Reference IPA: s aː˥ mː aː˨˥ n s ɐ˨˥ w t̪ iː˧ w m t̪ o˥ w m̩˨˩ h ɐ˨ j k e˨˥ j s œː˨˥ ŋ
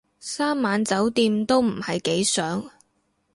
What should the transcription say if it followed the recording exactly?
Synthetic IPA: s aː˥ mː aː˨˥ n t͡s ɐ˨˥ w t̪ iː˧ m t̪ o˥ w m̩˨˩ h ɐ˨ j k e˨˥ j s œː˨˥ ŋ